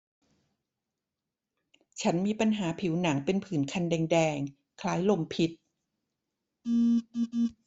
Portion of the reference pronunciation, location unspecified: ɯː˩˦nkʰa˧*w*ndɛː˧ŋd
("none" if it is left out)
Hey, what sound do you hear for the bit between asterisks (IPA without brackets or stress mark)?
none